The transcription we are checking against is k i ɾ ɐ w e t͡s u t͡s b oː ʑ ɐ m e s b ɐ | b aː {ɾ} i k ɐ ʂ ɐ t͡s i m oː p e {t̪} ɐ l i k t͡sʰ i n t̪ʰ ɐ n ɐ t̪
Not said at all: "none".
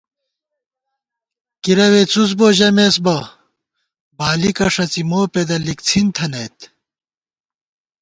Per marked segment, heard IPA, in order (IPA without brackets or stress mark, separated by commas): l, d̪